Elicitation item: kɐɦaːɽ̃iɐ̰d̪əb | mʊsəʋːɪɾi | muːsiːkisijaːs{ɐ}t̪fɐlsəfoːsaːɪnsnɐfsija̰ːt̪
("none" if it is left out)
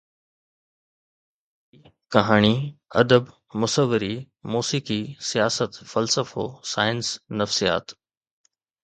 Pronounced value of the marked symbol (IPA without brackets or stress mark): ə